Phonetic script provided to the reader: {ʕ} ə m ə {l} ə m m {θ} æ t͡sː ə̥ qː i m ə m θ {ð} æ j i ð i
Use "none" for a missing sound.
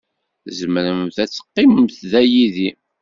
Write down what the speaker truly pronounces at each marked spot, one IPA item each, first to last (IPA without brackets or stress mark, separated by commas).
z, ɾ, θ, ð